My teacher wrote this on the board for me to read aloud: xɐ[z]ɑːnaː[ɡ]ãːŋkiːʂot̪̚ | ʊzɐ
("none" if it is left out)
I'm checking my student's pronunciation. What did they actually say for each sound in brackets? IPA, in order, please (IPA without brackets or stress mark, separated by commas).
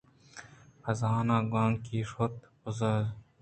z, ɡ